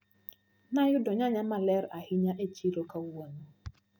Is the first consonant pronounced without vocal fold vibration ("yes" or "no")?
no